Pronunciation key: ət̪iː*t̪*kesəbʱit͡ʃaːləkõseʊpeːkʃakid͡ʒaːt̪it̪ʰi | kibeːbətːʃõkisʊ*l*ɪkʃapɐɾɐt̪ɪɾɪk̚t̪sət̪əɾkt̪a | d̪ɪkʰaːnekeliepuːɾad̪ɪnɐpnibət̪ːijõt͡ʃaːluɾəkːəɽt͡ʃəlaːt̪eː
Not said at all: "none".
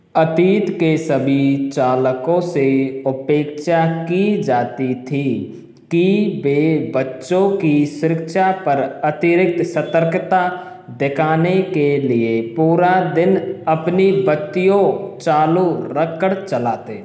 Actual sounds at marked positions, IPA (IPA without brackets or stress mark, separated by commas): t̪, ɾ